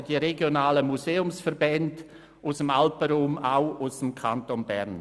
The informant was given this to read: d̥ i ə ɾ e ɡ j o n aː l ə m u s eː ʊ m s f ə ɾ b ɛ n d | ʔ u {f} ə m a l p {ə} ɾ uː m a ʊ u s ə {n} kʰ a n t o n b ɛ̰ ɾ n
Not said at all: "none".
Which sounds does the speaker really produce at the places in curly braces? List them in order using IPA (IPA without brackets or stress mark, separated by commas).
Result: s, ə, m